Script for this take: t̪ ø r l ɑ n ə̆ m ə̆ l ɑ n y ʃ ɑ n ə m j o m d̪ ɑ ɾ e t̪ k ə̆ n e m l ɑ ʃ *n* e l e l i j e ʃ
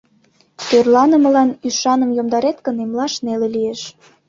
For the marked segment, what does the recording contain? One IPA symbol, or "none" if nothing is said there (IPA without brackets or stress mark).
n